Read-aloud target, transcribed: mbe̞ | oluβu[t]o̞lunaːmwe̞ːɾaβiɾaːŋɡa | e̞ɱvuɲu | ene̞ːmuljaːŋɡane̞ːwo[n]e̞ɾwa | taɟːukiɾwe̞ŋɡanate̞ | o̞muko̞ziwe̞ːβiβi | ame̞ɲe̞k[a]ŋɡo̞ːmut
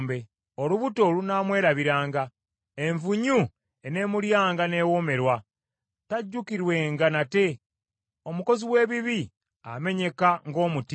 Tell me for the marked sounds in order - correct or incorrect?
correct, incorrect: m, correct

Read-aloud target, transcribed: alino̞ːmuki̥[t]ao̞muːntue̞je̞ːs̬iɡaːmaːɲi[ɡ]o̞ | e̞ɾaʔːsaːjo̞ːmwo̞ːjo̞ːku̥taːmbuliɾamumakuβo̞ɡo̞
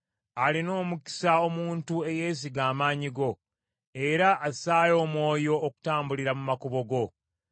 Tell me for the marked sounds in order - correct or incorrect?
incorrect: s, correct

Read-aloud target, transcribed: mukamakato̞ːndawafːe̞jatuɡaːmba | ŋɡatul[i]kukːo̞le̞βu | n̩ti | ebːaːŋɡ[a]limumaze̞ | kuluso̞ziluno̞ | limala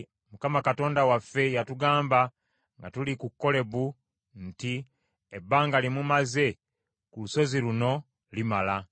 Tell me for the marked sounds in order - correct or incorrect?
correct, correct

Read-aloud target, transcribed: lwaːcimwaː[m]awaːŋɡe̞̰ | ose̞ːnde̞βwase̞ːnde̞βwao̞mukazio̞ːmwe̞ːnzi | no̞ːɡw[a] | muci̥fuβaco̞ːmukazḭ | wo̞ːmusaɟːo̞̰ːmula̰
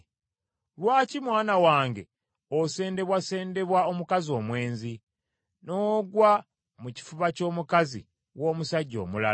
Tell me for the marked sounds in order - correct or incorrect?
incorrect: n, correct

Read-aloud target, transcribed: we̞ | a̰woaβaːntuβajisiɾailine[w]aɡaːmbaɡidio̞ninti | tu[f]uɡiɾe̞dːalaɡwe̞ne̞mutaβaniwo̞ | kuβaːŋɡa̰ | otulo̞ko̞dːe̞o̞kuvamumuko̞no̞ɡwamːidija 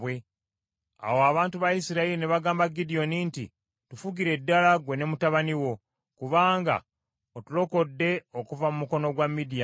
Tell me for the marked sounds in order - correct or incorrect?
incorrect: β, correct

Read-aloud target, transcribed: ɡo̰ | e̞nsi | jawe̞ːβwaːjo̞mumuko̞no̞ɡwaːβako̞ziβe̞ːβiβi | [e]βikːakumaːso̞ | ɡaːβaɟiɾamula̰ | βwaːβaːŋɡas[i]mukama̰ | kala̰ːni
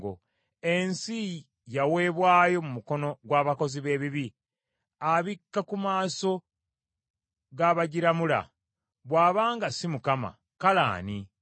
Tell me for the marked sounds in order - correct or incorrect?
incorrect: a, correct

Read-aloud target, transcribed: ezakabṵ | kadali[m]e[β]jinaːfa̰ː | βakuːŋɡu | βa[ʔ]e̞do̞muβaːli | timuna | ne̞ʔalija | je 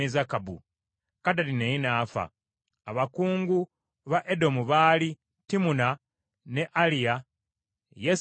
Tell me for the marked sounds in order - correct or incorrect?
incorrect: n, incorrect: none, correct

